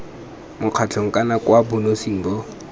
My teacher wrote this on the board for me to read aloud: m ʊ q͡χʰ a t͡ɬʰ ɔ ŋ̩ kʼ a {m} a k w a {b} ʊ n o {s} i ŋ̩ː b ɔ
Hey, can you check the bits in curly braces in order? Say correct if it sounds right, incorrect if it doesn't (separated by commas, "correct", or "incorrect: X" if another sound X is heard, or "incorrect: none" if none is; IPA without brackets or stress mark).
incorrect: n, correct, correct